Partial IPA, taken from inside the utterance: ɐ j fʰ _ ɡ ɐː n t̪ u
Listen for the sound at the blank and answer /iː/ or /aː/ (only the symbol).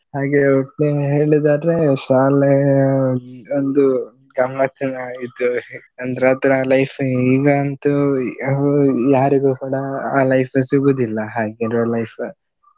iː